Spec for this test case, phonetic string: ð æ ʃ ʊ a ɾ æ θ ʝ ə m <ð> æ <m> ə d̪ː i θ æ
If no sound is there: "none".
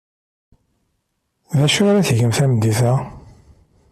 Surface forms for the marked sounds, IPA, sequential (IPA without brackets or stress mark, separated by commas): θ, m